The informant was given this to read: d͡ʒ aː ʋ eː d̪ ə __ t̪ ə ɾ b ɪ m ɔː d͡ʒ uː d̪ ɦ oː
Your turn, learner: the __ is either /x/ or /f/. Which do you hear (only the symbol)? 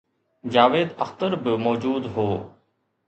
x